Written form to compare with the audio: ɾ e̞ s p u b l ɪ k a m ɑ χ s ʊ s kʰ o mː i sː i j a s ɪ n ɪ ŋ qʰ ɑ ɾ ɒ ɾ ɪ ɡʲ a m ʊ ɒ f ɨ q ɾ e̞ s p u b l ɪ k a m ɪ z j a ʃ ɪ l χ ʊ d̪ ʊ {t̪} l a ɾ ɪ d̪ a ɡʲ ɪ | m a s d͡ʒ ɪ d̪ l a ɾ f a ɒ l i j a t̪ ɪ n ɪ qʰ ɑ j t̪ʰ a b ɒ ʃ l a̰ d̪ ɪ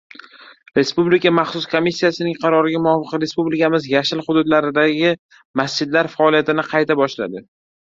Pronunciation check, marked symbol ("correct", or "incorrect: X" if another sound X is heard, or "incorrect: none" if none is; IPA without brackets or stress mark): incorrect: d̪